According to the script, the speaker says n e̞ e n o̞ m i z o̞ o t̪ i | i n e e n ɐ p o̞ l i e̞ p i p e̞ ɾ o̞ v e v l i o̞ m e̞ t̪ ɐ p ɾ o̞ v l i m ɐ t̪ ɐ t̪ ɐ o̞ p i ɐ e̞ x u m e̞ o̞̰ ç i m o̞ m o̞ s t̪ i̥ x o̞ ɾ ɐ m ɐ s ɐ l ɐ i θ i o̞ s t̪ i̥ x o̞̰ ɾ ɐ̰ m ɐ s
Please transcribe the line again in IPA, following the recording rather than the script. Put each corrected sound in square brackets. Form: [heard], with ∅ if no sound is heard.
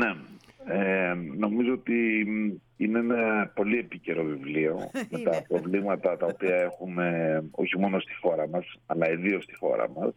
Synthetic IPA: n e̞ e n o̞ m i z o̞ o t̪ i | i n e e n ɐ p o̞ l i e̞ p i [c] e̞ ɾ o̞ v [i] v l i o̞ m e̞ t̪ ɐ p ɾ o̞ v l i m ɐ t̪ ɐ t̪ ɐ o̞ p i ɐ e̞ x u m e̞ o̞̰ ç i m o̞ [n] o̞ s t̪ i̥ x o̞ ɾ ɐ m ɐ s ɐ l ɐ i [ð] i o̞ s t̪ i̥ x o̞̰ ɾ ɐ̰ m ɐ s